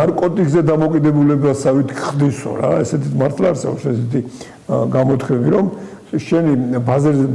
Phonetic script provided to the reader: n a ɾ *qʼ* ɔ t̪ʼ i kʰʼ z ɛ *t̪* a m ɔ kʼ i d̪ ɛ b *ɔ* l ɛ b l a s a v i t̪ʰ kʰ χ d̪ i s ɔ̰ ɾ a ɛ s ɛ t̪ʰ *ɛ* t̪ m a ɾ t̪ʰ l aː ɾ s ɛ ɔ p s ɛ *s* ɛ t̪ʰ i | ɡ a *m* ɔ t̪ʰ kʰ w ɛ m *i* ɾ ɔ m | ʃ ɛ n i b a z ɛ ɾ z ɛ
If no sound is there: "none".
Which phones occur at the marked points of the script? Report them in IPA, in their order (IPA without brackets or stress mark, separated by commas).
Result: kʼ, d̪, u, i, s, m, i